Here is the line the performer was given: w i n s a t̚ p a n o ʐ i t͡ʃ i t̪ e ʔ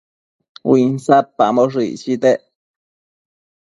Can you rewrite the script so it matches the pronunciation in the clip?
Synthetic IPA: w i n s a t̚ p a m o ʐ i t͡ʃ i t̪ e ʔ